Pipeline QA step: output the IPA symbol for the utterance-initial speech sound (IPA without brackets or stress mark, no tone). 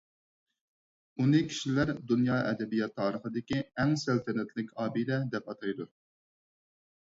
u